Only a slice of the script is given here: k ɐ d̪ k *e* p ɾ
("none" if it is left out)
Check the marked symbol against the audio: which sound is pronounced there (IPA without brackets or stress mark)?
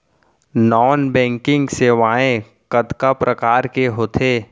a